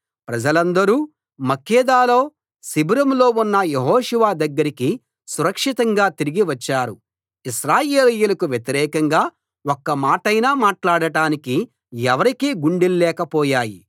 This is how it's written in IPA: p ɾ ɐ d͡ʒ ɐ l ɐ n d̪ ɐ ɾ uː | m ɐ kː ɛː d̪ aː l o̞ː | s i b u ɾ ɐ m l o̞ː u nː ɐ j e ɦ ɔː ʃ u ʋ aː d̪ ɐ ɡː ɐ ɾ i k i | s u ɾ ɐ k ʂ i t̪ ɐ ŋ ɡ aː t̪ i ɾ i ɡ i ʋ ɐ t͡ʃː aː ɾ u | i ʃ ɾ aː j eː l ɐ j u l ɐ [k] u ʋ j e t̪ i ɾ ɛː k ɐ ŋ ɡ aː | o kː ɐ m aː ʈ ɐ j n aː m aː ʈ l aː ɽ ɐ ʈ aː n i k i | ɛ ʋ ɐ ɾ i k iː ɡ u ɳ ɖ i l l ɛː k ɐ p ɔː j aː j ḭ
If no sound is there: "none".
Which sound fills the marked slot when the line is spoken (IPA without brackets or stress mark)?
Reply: k